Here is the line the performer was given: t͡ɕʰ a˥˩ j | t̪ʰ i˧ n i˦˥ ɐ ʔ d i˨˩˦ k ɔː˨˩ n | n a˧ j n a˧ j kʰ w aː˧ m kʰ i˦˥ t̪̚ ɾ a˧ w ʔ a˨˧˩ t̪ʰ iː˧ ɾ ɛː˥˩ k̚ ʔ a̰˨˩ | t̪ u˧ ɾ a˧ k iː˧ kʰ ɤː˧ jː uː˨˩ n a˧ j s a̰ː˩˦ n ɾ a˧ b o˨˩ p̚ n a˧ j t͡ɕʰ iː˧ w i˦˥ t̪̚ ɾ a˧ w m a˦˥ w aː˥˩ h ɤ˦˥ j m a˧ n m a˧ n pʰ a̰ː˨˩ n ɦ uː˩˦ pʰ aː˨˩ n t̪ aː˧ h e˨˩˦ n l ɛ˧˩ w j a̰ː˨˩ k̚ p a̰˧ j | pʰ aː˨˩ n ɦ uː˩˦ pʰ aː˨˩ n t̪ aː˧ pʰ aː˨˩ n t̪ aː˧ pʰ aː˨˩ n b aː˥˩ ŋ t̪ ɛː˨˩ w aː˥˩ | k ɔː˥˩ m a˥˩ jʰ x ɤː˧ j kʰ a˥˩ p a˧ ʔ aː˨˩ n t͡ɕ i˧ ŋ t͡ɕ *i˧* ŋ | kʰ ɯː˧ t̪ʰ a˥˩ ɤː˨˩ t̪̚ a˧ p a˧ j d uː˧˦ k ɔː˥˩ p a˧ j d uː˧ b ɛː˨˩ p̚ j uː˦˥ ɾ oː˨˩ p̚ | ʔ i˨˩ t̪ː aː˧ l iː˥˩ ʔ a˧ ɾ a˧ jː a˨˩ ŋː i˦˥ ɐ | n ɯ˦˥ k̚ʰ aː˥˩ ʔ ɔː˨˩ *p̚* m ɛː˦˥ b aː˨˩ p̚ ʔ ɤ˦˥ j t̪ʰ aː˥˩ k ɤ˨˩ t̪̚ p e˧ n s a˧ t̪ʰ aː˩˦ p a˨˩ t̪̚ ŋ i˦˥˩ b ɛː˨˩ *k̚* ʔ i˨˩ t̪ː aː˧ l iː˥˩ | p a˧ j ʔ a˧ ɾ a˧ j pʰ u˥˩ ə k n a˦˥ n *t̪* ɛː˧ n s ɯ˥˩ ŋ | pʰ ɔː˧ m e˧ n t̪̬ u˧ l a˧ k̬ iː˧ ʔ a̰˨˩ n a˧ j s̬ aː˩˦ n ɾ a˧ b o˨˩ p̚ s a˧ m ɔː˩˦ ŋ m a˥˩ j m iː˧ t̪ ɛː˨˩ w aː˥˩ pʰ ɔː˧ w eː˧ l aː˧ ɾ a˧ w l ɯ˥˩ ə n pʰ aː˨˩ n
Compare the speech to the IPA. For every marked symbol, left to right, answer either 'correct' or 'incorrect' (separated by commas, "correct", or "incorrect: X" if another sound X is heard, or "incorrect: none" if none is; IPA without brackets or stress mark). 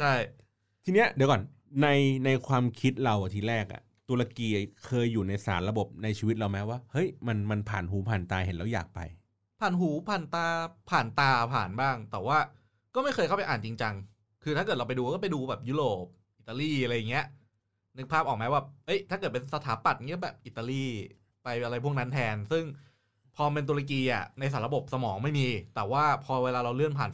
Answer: incorrect: a˧, incorrect: k̚, incorrect: p̚, incorrect: t̪ʰ